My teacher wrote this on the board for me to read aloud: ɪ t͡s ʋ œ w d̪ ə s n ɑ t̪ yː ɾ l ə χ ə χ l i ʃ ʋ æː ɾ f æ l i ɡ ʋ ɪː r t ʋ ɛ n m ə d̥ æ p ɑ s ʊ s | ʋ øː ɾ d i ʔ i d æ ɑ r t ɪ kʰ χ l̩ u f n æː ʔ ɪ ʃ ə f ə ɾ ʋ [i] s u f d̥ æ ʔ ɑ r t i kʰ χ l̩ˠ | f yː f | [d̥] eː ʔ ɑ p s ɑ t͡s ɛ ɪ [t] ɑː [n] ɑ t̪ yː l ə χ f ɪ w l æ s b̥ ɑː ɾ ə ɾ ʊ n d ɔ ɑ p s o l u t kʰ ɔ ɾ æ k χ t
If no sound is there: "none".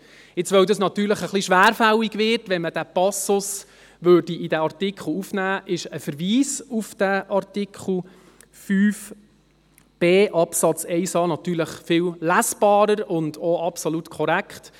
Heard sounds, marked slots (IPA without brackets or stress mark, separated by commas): iː, b̥, s, n